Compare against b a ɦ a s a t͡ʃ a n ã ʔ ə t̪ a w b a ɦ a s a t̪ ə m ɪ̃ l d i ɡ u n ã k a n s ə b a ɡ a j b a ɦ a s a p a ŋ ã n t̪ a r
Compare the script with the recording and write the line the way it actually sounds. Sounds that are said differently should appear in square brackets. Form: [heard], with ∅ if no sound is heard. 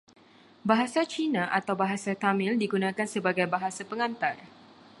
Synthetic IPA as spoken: b a ɦ a s a t͡ʃ [i] n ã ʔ [a] t̪ a w b a ɦ a s a t̪ [a] m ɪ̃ l d i ɡ u n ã k a n s ə b a ɡ a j b a ɦ a s a p [ə] ŋ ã n t̪ a r